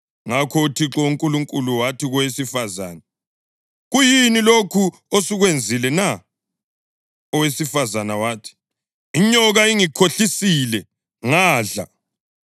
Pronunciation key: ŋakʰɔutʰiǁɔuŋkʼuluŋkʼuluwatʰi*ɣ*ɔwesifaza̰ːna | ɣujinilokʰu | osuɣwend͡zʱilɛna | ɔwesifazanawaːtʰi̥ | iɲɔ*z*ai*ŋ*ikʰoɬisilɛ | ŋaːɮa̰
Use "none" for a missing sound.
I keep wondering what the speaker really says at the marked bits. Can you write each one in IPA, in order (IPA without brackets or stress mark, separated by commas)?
ɣ, ɣ, ŋ